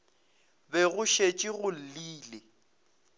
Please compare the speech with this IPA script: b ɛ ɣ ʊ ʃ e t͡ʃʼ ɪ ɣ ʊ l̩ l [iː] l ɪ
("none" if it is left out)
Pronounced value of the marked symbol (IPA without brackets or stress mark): iː